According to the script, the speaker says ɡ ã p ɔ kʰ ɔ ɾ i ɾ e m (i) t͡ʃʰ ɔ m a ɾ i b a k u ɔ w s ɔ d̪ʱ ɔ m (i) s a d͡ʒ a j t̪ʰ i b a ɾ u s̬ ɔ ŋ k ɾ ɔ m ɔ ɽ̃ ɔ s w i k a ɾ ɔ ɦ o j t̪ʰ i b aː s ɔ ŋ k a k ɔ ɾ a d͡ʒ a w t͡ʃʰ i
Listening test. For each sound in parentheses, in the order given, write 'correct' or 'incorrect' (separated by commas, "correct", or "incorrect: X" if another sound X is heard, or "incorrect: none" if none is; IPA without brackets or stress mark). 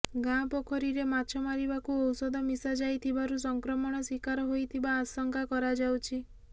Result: incorrect: a, correct